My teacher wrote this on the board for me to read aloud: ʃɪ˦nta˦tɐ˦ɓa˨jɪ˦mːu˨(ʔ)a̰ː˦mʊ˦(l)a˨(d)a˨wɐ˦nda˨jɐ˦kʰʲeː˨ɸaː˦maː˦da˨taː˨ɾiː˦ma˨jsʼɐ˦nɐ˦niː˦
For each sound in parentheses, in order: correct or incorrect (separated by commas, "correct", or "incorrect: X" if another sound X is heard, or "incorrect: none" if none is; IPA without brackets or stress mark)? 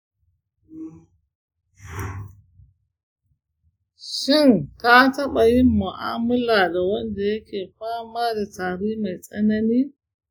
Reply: correct, correct, correct